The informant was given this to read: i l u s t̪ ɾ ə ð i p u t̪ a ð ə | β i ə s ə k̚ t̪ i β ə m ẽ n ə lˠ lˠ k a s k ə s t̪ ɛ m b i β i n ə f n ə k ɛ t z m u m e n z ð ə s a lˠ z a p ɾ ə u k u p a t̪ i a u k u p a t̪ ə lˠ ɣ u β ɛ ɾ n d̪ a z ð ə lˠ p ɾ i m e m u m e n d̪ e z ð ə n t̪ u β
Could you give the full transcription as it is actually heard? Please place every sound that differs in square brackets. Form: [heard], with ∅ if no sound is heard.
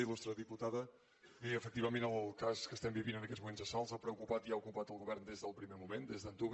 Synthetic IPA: i l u s t̪ ɾ ə ð i p u t̪ a ð ə | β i ə [f] ə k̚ t̪ i β ə m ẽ n ə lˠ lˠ k a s k ə s t̪ ɛ m b i β i n ə [∅] n ə k ɛ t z m u m e n z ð ə s a lˠ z a p ɾ ə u k u p a t̪ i a u k u p a t̪ ə lˠ ɣ u β ɛ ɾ n d̪ [e] z ð ə lˠ p ɾ i m e m u m e n d̪ e z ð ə n t̪ u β